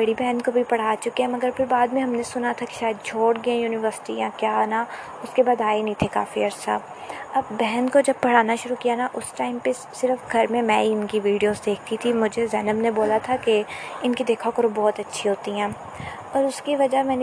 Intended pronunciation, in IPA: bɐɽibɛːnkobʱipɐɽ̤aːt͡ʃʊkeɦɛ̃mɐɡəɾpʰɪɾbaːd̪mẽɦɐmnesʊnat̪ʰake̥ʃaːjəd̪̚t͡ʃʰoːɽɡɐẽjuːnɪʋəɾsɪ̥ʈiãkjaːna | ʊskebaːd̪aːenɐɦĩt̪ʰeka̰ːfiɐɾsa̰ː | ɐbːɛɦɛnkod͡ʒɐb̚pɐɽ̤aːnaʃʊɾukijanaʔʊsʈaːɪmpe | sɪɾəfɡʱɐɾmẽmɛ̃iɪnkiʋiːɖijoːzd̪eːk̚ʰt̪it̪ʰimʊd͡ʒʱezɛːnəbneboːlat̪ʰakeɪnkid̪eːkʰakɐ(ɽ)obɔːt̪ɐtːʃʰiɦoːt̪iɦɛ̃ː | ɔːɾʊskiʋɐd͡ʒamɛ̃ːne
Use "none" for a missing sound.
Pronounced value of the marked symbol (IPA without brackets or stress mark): ɾ